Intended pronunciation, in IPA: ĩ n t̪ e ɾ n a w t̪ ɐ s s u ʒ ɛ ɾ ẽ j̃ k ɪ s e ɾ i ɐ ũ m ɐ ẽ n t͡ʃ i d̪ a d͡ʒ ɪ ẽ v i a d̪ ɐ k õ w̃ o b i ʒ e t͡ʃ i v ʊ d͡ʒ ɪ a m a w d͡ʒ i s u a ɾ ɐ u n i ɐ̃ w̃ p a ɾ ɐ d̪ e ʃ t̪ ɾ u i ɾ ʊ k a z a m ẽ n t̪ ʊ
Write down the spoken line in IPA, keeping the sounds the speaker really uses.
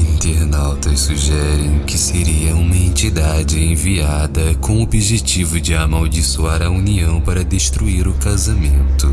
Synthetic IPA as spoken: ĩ n t̪ e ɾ n a w t̪ ɐ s s u ʒ ɛ ɾ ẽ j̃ k ɪ s e ɾ i ɐ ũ m ɐ ẽ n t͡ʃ i d̪ a d͡ʒ ɪ ẽ v i a d̪ ɐ k õ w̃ o b i ʒ e t͡ʃ i v ʊ d͡ʒ ɪ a m a w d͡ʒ i s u a ɾ ɐ u n i ɐ̃ w̃ p a ɾ ɐ d̪ e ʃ t̪ ɾ u i ɾ ʊ k a z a m ẽ n t̪ ʊ

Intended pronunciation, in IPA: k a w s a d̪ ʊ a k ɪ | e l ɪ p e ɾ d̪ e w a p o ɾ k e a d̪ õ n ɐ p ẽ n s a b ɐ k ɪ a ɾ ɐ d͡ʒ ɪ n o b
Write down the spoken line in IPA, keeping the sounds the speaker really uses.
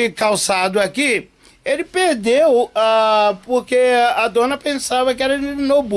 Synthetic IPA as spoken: k a w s a d̪ ʊ a k i | e l ɪ p e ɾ d̪ e w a p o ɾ k e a d̪ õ n ɐ p ẽ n s a v ɐ k ɪ ɛ ɾ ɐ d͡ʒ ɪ n o b

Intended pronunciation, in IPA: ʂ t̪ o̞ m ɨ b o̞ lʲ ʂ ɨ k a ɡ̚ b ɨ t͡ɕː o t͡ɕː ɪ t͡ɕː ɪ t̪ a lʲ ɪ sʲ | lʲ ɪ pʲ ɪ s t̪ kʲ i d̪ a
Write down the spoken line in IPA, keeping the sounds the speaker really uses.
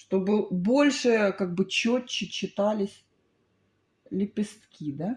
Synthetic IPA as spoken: ʂ t̪ o̞ b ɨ b o̞ lʲ ʂ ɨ k a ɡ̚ b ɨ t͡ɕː o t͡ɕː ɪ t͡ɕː ɪ t̪ a lʲ ɪ sʲ | lʲ ɪ pʲ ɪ s t̪ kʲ i d̪ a

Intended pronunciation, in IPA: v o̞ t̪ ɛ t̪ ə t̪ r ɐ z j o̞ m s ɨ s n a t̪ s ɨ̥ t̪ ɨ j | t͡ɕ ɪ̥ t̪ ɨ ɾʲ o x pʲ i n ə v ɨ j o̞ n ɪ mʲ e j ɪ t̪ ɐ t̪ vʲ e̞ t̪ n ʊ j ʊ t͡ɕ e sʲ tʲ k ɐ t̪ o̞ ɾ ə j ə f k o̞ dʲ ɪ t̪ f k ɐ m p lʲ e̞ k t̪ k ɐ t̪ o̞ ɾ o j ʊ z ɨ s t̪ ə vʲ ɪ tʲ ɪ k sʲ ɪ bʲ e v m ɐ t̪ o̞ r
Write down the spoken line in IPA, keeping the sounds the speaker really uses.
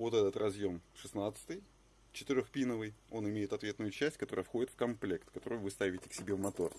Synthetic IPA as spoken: v o̞ t̪ ɛ t̪ ə t̪ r ɐ z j o̞ m ʂ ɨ s n a t̪ s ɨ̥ t̪ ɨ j | t͡ɕ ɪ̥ t̪ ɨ ɾʲ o x pʲ i n ə v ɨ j o̞ n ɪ mʲ e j ɪ t̪ ɐ t̪ vʲ e̞ t̪ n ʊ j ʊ t͡ɕ æ sʲ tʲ k ɐ t̪ o̞ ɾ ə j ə f x o̞ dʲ ɪ t̪ f k ɐ m p lʲ e̞ k t̪ k ɐ t̪ o̞ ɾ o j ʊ v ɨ s t̪ a vʲ ɪ tʲ ɪ k sʲ ɪ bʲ e v m ɐ t̪ o̞ r

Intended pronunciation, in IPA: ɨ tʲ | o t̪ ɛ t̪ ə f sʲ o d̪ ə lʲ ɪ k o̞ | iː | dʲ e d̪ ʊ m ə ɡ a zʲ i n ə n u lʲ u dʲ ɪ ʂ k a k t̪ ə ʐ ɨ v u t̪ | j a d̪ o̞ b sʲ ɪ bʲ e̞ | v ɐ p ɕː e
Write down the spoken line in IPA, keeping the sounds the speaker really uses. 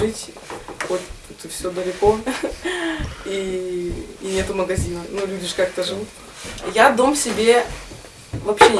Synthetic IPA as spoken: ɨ tʲ | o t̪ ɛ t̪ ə f sʲ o d̪ ə lʲ ɪ k o̞ | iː | nʲ e t̪ ʊ m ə ɡ ɐ zʲ i n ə n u lʲ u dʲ ɪ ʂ k a k t̪ ə ʐ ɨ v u t̪ | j a d̪ o̞ m sʲ ɪ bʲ e̞ | v ɐ p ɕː e

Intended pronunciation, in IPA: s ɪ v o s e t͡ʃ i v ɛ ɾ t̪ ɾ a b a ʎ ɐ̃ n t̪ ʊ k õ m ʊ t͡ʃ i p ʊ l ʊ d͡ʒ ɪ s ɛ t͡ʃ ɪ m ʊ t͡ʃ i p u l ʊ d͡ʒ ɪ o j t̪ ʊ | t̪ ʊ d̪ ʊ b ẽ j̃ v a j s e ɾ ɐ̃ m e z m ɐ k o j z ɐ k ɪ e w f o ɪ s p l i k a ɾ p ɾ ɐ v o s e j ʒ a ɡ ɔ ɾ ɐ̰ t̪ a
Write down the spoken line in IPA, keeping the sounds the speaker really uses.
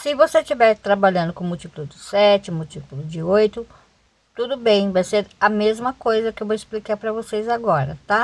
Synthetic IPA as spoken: s ɪ v o s e t͡ʃ i v ɛ ɾ t̪ ɾ a b a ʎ ɐ̃ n d̪ ʊ k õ m ʊ t͡ʃ i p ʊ l ʊ d͡ʒ ɪ s ɛ t͡ʃ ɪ m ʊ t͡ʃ i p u l ʊ d͡ʒ ɪ o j t̪ ʊ | t̪ u d̪ ʊ b ẽ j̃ v a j s e ɾ ɐ m e z m ɐ k o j z ɐ k ɪ e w v o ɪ s p l i k a ɾ p ɾ ɐ v o s e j z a ɡ ɔ ɾ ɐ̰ t̪ a

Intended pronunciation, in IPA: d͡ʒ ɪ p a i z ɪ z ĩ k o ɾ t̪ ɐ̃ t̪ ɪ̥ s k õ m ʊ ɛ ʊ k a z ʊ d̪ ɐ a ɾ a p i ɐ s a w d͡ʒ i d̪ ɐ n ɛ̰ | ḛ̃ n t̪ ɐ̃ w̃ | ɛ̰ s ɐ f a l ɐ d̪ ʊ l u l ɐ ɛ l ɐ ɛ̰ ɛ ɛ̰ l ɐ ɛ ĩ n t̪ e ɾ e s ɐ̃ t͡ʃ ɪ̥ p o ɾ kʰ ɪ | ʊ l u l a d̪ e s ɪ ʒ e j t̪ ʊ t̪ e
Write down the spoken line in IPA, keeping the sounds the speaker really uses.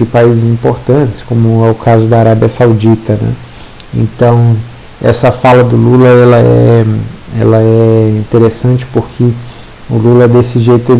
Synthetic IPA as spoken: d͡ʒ ɪ p a i z ɪ z ĩ p o ɾ t̪ ɐ̃ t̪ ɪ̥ s k õ m ʊ ɛ ʊ k a z ʊ d̪ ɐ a ɾ a b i ɐ s a w d͡ʒ i t̪ ɐ n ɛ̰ | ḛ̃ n t̪ ɐ̃ w̃ | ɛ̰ s ɐ f a l ɐ d̪ ʊ l u l ɐ ɛ l ɐ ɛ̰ ɛ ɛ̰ l ɐ ɛ ĩ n t̪ e ɾ e s ɐ̃ t͡ʃ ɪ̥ p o ɾ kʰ ɪ | ʊ l u l ɐ d̪ e s ɪ ʒ e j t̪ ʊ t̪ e

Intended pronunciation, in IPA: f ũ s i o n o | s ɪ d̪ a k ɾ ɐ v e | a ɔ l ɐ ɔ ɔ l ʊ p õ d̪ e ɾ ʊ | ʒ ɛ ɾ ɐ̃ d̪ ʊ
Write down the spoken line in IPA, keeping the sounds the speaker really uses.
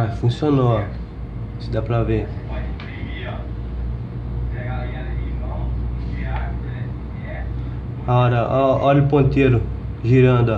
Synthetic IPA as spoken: f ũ s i o n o | s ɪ d̪ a p ɾ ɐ v e | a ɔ ɾ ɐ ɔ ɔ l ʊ p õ t̪ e ɾ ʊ | ʒ i ɾ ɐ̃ d̪ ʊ

